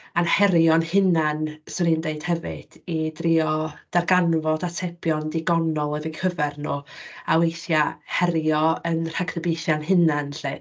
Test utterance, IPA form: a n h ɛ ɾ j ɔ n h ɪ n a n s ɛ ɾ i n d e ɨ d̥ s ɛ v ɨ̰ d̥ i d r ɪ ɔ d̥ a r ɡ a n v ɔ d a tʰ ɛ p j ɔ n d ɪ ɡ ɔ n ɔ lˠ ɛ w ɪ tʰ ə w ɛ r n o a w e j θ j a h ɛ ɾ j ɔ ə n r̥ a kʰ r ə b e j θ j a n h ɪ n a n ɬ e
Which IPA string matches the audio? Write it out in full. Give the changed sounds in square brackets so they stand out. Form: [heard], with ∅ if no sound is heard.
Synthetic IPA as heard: a n h ɛ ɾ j ɔ n h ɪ n a n s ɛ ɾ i n d e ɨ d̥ [h] ɛ v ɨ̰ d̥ i d r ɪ ɔ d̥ a r ɡ a n v ɔ d a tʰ ɛ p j ɔ n d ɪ ɡ ɔ n ɔ lˠ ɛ [v] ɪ [kʰ] ə [v] ɛ r n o a w e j θ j a h ɛ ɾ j ɔ ə n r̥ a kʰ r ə b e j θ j a n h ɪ n a n ɬ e